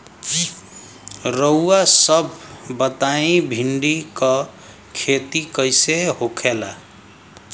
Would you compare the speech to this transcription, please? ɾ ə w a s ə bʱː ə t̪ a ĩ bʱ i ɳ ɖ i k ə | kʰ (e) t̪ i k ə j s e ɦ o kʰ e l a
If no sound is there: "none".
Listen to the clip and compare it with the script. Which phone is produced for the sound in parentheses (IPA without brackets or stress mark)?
e